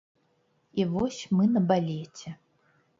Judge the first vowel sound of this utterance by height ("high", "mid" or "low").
high